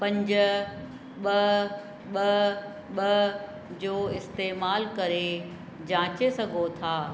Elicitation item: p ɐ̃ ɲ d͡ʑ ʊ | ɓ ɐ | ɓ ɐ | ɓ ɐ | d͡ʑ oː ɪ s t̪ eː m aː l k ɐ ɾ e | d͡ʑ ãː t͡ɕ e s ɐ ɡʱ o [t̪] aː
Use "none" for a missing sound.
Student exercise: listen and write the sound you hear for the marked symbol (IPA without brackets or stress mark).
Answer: t̪ʰ